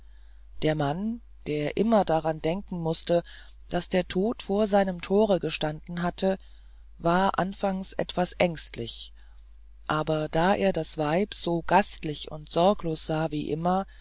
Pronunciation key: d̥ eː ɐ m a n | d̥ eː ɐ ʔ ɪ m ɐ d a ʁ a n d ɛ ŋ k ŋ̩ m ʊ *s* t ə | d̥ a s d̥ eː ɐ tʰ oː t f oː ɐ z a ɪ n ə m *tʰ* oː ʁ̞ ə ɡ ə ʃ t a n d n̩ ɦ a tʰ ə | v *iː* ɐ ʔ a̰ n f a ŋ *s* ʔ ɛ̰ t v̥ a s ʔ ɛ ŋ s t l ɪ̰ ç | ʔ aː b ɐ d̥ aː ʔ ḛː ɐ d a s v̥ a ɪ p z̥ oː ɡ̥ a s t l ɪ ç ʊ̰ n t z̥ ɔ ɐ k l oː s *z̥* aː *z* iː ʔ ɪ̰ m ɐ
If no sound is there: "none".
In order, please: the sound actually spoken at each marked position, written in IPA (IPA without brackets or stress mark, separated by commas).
s, tʰ, aː, s, z̥, v